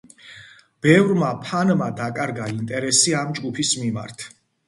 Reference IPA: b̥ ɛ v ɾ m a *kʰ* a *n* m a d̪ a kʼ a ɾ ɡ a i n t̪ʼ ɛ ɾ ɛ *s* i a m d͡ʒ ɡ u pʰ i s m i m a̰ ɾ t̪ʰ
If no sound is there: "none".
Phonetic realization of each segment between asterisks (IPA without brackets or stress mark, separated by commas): pʰ, n, s